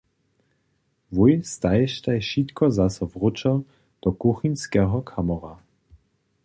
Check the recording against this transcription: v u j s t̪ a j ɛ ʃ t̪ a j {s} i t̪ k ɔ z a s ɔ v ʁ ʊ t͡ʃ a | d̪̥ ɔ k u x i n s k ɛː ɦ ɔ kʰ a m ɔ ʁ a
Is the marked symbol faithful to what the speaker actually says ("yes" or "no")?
no